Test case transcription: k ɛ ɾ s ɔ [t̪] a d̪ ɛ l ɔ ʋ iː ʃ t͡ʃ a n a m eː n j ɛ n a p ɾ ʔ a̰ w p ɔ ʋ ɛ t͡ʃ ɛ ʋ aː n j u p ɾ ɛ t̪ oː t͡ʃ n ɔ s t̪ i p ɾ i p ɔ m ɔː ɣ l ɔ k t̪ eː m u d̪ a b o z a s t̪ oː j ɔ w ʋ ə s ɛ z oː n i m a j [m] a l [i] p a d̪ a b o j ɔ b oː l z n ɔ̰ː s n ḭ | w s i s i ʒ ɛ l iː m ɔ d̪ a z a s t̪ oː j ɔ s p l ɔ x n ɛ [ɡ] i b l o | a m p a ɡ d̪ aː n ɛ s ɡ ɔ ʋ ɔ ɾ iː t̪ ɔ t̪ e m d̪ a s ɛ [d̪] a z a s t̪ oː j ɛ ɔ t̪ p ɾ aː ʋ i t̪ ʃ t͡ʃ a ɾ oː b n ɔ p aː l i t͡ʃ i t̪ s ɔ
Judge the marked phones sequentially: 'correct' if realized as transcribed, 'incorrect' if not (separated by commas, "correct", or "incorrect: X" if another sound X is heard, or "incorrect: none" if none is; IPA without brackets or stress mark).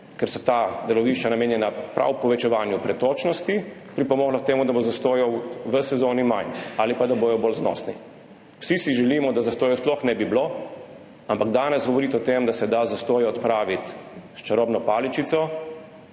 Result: correct, incorrect: n, correct, incorrect: b, correct